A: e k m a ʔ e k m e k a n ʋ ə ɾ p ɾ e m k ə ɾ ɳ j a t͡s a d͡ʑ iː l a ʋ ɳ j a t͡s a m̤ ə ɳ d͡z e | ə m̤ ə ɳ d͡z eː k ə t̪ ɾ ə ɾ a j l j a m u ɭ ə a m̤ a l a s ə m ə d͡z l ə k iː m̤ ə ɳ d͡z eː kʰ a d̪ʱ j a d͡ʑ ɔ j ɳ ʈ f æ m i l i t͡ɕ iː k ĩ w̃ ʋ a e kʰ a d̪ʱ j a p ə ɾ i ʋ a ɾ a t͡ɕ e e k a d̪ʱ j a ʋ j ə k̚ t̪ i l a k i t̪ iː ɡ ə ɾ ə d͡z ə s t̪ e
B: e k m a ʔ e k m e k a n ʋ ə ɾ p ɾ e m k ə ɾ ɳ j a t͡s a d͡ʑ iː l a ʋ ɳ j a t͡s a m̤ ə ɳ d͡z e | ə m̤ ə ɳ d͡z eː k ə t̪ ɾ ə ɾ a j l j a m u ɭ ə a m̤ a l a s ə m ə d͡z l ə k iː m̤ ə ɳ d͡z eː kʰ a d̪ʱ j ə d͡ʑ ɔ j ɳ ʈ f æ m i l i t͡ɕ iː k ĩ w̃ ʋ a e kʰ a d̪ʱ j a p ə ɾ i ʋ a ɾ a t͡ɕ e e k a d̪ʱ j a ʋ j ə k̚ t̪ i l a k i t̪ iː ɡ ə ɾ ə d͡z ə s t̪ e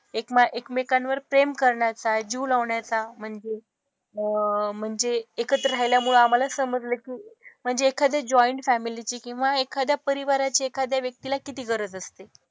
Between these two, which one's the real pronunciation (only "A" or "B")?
A